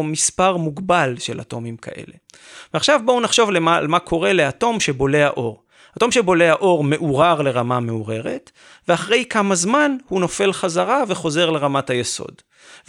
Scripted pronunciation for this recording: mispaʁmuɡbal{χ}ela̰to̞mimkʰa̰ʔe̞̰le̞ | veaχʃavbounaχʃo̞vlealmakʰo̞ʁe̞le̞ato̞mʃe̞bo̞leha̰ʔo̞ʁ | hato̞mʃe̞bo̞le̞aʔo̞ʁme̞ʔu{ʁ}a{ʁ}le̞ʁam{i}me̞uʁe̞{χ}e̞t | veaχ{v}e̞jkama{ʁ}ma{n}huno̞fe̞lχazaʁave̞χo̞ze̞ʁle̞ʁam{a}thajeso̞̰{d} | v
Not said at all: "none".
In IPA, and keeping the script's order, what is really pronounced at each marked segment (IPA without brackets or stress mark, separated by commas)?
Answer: ʃ, ʁ, ʁ, a, ʁ, ʁ, z, n, a, d